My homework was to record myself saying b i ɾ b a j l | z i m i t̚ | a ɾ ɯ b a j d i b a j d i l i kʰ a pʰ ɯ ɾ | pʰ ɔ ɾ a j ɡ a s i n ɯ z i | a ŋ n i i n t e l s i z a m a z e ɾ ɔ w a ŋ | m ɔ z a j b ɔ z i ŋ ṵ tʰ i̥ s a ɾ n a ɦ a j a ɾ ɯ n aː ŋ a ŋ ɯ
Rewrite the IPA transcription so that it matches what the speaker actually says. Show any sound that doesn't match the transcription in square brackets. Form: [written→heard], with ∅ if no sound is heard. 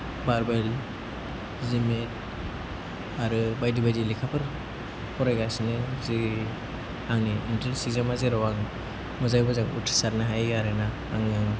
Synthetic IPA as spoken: b [i→a] ɾ b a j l | z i m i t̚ | a ɾ ɯ b a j d i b a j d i l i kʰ a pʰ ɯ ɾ | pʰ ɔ ɾ a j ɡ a s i n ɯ z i | a ŋ n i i n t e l s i z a m a z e ɾ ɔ w a ŋ | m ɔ z a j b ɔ z [i→a] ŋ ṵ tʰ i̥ s a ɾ n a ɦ a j a ɾ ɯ n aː ŋ a ŋ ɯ

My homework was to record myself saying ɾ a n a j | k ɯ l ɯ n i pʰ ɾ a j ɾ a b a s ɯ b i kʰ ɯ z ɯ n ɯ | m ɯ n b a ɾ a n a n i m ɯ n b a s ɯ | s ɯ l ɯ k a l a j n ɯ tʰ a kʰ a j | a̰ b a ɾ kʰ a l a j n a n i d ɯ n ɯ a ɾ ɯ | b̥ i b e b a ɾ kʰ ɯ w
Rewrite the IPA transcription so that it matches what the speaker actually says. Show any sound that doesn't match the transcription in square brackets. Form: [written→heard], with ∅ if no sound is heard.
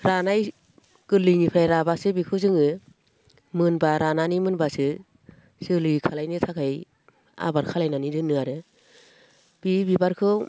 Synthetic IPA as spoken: ɾ a n a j | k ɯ l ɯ n i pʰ ɾ a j ɾ a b a s ɯ b i kʰ ɯ z ɯ [n→ŋ] ɯ | m ɯ n b a ɾ a n a n i m ɯ n b a s ɯ | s ɯ l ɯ [k→kʰ] a l a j n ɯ tʰ a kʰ a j | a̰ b a ɾ kʰ a l a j n a n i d ɯ n ɯ a ɾ ɯ | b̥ i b [e→i] b a ɾ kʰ ɯ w

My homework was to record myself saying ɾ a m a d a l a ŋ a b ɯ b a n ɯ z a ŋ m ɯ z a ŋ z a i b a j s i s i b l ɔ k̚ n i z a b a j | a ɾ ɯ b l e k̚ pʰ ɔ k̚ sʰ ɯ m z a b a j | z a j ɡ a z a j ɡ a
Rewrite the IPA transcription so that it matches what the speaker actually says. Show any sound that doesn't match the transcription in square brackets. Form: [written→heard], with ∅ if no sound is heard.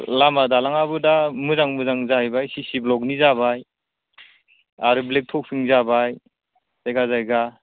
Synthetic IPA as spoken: [ɾ→l] a m a d a l a ŋ a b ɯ [b→d] a [n→m] ɯ z a ŋ m ɯ z a ŋ z a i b a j s i s i b l ɔ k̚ n i z a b a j | a ɾ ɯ b l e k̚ [pʰ→tʰ] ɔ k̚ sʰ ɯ [m→ŋ] z a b a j | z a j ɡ a z a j ɡ a

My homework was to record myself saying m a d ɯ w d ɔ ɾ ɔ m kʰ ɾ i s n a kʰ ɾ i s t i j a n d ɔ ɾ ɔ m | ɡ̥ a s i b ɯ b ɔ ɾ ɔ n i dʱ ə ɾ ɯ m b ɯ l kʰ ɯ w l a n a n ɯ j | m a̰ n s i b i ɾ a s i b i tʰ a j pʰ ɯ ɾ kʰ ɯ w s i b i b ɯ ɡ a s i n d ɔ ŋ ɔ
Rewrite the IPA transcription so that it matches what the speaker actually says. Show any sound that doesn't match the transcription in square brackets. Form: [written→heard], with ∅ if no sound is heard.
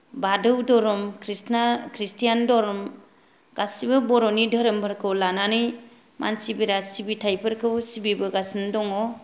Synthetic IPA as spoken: [m→b] a d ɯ w d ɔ ɾ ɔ m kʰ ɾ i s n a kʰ ɾ i s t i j a n d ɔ ɾ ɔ m | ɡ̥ a s i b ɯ b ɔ ɾ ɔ n i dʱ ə ɾ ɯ m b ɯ [l→ɾ] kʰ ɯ w l a n a n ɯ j | m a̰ n s i b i ɾ a s i b i tʰ a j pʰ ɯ ɾ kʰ ɯ w s i b i b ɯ ɡ a s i n d ɔ ŋ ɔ

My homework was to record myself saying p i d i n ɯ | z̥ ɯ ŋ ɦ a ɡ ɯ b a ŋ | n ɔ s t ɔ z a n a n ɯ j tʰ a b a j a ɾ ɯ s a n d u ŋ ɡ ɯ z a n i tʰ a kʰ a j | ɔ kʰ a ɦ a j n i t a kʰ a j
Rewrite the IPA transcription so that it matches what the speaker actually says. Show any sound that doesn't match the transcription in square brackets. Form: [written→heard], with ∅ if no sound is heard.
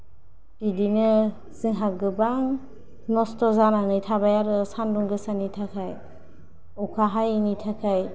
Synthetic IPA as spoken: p i d i n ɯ | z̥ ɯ ŋ ɦ a ɡ ɯ b a ŋ | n ɔ s t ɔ z a n a n ɯ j tʰ a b a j a ɾ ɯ s a n d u ŋ ɡ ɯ [z→s] a n i tʰ a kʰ a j | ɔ kʰ a ɦ a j n i [t→tʰ] a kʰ a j

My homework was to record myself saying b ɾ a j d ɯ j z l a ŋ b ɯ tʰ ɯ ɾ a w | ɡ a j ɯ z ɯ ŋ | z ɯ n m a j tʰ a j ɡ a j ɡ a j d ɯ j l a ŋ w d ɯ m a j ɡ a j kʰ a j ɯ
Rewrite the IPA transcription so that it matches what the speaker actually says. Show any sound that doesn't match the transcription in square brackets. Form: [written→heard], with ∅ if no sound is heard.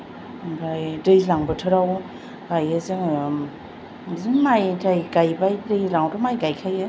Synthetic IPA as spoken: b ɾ a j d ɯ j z l a ŋ b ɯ tʰ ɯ ɾ a w | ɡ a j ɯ z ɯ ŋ | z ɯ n m a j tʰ a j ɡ a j [ɡ→b] a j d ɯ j l a ŋ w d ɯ m a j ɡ a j kʰ a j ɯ

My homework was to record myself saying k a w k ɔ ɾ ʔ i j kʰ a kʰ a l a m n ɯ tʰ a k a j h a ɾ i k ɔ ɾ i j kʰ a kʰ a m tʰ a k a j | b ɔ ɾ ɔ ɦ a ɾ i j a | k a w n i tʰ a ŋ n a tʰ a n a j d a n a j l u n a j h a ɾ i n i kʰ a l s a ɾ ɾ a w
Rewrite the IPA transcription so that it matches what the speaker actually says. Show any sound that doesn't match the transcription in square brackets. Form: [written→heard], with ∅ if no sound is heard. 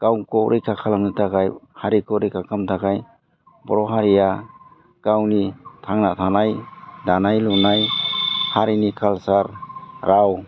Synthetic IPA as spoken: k a w k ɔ ɾ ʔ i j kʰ a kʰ a l a m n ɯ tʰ a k a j h a ɾ i k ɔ ɾ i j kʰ a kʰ a m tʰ a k a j | b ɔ ɾ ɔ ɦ a ɾ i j a | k a w n i tʰ a ŋ n a tʰ a n a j d a n a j l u n a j h a ɾ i n i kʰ a l s a ɾ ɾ a w

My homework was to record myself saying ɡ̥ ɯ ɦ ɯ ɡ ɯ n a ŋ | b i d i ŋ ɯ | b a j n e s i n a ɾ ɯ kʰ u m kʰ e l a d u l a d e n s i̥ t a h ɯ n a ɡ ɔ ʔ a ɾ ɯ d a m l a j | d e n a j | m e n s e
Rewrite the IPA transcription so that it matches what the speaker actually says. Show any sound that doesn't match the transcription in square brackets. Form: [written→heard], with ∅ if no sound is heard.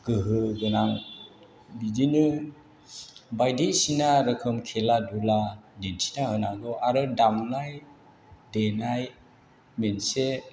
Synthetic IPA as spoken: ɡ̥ ɯ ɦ ɯ ɡ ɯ n a ŋ | b i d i [ŋ→n] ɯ | b a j [n→d] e s i n a ɾ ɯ kʰ [u→ɯ] m kʰ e l a d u l a d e n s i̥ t a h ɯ n a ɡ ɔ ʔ a ɾ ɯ d a m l a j | d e n a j | m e n s e

